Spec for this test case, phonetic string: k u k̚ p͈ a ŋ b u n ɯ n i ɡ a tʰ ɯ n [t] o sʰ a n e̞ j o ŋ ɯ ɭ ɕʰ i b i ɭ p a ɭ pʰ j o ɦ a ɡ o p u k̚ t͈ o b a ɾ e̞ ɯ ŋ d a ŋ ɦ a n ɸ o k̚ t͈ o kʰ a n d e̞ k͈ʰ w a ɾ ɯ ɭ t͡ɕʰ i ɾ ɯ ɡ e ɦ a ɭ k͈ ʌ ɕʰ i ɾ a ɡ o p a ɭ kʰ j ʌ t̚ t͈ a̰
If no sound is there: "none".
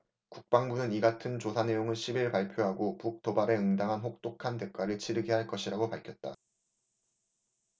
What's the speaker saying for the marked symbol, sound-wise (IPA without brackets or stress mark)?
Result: t͡ɕ